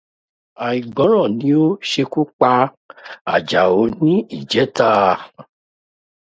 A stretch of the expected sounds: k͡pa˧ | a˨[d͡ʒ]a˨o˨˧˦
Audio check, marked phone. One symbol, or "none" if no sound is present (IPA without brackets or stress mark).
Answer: d͡ʒ